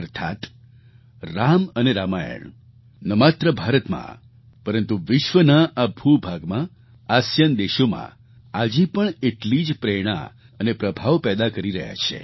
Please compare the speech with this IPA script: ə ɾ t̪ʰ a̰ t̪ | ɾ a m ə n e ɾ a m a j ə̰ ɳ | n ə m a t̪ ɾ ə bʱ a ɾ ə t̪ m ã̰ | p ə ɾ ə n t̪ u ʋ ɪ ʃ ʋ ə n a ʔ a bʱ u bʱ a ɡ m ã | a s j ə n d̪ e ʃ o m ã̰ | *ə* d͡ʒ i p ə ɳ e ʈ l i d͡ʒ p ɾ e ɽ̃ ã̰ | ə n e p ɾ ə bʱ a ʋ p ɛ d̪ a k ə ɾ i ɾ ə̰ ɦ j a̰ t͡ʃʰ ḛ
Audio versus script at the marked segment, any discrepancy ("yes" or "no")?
yes